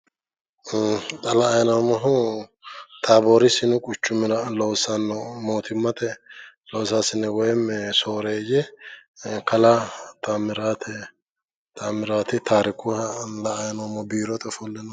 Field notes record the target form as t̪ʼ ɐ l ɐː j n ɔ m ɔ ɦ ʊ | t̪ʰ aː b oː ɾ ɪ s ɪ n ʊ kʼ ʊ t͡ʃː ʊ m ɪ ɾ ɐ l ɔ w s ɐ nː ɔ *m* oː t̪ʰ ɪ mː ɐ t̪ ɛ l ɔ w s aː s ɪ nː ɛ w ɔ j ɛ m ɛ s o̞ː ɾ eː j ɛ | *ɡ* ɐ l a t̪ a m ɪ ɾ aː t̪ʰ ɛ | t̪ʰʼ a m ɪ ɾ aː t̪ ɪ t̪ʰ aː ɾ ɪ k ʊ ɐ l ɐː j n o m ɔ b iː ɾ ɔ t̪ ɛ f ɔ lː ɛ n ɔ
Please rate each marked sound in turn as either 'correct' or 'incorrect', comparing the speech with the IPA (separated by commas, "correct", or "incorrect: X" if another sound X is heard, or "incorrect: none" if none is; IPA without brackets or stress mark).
correct, incorrect: k